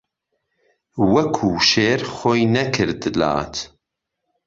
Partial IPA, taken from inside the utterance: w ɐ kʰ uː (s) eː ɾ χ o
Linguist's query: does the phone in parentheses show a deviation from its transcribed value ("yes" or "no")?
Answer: yes